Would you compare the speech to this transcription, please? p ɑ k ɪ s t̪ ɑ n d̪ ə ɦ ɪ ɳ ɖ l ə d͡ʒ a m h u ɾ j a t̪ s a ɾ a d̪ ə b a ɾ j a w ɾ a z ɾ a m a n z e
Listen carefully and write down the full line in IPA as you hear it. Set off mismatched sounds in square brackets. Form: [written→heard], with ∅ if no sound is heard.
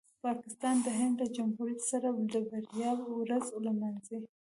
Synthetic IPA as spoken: p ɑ k ɪ s t̪ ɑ n d̪ ə ɦ ɪ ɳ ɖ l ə d͡ʒ a m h u ɾ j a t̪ s a ɾ a d̪ ə b a ɾ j [a→ɑ] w ɾ a z [ɾ→l] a m a n z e